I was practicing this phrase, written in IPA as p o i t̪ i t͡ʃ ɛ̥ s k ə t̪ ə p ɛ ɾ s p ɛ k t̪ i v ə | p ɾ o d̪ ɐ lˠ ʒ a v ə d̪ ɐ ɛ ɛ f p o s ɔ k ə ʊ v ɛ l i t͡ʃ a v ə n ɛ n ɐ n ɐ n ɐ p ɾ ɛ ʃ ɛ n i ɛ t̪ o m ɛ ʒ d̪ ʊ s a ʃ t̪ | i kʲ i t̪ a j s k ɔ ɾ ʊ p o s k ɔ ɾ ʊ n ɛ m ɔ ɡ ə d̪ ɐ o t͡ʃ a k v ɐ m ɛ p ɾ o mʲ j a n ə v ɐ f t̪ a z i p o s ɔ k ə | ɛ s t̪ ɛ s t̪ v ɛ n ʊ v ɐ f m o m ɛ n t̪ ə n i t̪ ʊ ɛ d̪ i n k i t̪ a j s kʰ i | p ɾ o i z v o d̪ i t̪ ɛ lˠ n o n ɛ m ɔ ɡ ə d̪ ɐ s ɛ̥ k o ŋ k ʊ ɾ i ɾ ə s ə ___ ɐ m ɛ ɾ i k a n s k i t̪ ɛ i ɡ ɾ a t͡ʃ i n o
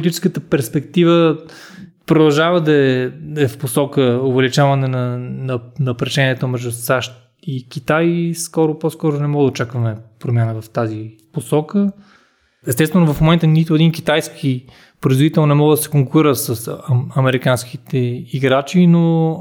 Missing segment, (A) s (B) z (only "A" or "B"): A